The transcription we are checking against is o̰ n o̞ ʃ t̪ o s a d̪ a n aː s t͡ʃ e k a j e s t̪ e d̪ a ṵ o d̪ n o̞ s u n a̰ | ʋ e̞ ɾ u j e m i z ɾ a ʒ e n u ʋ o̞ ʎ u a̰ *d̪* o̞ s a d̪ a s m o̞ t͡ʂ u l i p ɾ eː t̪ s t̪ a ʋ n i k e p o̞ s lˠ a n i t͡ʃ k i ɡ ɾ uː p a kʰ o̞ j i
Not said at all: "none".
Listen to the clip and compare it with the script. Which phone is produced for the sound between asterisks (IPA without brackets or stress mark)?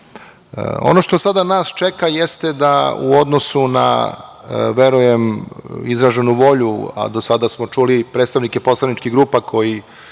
d̪